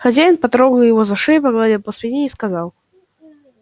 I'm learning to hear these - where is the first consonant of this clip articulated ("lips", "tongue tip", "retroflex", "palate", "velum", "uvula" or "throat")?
velum